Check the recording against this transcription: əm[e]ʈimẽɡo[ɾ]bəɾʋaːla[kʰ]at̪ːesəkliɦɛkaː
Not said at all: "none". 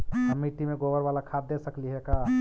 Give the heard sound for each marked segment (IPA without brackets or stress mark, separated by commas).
i, none, kʰ